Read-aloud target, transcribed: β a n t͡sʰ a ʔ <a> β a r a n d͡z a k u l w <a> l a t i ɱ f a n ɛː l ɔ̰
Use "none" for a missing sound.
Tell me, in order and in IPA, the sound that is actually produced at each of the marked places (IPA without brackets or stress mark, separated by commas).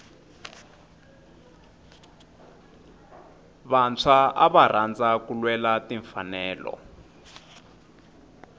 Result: a, ɛ